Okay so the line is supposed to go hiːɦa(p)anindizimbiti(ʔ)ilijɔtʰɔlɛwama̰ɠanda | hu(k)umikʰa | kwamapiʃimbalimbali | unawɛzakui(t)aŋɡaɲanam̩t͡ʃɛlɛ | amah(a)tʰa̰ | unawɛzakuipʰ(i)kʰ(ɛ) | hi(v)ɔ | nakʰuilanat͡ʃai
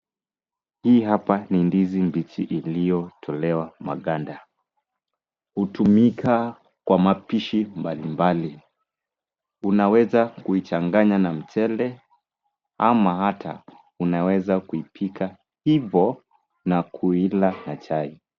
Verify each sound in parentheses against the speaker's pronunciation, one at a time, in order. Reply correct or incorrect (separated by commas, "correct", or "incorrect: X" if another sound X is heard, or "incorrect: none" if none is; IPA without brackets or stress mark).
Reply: correct, correct, incorrect: t, incorrect: t͡ʃ, correct, correct, incorrect: a, correct